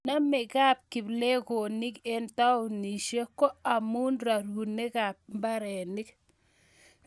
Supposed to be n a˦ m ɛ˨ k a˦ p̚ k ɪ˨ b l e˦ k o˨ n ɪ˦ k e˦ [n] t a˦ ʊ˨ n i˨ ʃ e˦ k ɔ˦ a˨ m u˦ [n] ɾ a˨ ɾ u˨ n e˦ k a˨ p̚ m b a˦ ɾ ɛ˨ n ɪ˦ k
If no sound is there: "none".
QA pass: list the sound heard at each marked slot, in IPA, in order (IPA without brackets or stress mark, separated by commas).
n, n